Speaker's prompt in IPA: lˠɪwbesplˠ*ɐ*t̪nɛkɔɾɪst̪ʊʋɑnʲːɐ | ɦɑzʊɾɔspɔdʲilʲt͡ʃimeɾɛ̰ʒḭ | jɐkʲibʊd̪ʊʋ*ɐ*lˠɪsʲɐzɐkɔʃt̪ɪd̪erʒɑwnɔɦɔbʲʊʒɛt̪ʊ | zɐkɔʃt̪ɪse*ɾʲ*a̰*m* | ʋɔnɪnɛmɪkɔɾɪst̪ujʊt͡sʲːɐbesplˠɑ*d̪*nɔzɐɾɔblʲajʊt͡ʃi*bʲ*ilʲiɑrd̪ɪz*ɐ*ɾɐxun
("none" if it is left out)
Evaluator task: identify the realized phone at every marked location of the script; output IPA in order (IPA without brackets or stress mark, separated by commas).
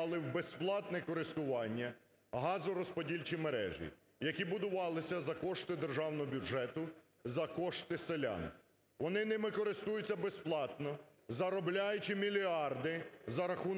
ɑ, ɑ, lʲ, n, t̪, mʲ, ɐ